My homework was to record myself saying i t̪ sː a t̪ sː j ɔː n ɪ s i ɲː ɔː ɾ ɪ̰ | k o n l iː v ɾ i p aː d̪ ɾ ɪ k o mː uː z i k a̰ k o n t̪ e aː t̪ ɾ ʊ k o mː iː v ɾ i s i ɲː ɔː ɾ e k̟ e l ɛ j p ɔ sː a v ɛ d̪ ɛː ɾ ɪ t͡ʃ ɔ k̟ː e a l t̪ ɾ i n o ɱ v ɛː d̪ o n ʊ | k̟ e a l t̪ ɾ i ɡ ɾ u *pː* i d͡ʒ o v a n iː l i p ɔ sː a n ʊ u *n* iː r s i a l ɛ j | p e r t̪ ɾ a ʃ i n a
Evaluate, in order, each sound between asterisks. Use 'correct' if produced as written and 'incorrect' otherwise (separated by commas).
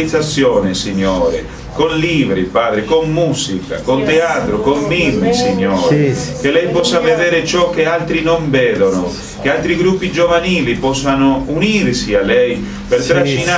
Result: correct, correct